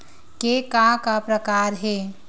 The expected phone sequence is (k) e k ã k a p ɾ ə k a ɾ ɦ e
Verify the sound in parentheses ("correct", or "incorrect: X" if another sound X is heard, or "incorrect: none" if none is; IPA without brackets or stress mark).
correct